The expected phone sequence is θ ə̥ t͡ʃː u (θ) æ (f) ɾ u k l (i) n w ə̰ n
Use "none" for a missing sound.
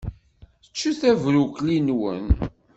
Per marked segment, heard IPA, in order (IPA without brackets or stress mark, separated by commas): θ, v, i